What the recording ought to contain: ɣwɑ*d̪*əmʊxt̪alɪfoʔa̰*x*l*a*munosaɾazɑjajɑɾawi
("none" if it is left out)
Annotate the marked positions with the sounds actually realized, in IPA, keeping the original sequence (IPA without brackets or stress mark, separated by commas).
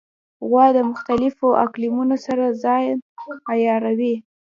d̪, k, i